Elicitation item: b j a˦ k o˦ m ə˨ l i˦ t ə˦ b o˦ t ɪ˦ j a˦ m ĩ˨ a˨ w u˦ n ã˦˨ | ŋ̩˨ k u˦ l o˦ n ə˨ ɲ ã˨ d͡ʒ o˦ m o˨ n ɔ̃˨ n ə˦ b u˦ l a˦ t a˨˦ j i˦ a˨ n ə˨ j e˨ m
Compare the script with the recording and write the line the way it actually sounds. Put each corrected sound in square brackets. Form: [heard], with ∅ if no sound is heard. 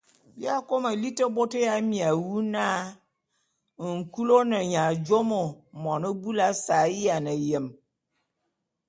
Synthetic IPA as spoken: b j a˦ k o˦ m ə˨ l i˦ t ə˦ b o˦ t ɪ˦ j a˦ m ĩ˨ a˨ w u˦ n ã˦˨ | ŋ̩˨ k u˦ l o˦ n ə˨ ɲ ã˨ d͡ʒ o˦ m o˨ [m] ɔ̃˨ n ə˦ b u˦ l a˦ [s] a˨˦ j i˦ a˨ n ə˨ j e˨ m